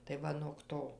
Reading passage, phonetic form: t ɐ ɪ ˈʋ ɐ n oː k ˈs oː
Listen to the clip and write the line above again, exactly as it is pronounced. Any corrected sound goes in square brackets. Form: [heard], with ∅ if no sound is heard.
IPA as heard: t ɐ ɪ ˈʋ ɐ n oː k [ˈt] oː